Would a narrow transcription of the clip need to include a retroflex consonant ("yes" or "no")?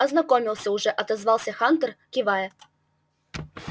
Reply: yes